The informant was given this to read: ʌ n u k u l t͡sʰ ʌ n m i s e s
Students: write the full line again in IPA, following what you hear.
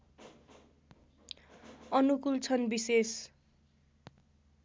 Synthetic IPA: ʌ n u k u l t͡sʰ ʌ n b i s e s